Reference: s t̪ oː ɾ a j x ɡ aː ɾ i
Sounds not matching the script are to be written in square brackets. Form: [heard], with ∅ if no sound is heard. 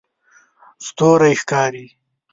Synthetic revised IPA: s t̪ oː ɾ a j x [k] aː ɾ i